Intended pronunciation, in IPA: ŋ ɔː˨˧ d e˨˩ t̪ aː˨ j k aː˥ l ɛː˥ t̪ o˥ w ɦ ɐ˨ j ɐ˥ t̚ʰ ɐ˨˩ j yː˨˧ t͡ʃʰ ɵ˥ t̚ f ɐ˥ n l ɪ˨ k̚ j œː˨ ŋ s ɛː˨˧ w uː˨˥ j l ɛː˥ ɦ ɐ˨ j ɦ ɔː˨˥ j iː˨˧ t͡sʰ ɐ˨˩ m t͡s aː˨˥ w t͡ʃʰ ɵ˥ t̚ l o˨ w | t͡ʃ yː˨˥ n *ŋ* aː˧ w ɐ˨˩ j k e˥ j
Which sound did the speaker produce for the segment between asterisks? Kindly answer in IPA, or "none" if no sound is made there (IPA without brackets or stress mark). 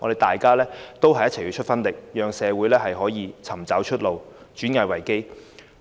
ŋ